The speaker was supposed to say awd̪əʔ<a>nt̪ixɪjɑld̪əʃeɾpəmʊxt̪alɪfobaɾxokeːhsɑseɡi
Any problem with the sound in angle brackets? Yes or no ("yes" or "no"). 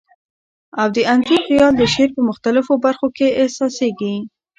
no